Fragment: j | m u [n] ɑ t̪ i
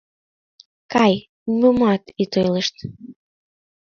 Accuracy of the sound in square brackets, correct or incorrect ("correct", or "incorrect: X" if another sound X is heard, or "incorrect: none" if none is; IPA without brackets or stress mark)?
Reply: incorrect: m